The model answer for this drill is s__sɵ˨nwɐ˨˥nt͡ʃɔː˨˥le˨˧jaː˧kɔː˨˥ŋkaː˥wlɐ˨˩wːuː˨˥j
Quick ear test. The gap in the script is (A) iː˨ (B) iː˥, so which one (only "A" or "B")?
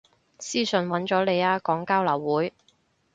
B